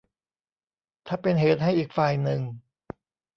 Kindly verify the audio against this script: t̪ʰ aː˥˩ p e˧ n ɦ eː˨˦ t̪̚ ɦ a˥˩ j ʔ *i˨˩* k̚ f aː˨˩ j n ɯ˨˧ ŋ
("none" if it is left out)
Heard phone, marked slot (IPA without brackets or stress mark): iː˨˩